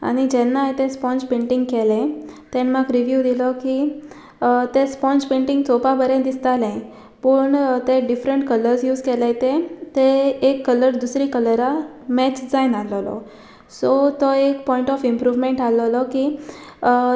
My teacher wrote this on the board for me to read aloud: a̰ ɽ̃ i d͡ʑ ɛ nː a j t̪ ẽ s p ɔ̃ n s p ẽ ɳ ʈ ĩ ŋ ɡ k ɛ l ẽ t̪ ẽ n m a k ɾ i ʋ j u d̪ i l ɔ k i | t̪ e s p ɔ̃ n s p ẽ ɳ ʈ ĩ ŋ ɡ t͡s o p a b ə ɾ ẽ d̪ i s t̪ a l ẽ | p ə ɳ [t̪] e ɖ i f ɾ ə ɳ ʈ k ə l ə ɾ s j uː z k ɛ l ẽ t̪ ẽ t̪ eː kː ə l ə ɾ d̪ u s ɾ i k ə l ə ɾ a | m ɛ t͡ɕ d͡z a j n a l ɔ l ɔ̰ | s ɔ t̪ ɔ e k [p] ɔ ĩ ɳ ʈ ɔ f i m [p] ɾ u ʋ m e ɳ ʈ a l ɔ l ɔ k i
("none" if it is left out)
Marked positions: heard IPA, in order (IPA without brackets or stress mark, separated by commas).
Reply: t̪, p, p